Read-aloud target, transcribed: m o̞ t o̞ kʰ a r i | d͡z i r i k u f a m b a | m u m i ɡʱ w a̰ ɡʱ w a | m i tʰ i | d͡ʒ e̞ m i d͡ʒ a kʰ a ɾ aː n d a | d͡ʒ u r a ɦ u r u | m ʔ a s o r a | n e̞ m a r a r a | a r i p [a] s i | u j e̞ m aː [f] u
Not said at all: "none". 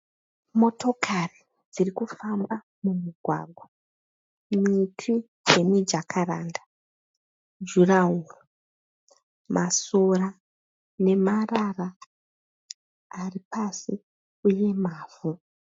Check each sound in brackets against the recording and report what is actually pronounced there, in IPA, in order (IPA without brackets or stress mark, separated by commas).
a, v